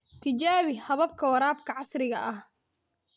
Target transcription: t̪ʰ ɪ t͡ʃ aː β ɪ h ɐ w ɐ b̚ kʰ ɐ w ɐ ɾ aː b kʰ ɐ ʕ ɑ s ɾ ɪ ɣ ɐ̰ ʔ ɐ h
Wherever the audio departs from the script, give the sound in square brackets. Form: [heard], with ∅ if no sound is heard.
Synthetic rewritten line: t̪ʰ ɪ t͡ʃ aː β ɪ h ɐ [β] ɐ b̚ kʰ ɐ w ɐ ɾ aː b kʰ ɐ ʕ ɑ s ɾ ɪ ɣ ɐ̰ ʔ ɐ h